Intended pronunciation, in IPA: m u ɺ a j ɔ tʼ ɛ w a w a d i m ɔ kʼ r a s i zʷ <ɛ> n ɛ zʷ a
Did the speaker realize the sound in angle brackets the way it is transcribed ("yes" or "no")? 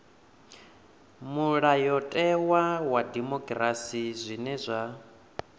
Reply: no